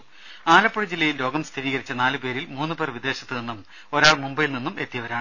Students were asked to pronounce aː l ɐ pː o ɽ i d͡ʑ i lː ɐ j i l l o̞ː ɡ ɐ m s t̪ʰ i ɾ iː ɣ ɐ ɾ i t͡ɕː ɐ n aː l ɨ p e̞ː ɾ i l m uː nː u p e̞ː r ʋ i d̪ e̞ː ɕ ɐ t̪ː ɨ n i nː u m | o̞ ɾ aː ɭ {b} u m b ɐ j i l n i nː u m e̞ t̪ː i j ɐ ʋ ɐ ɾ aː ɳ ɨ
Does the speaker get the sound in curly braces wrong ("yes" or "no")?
yes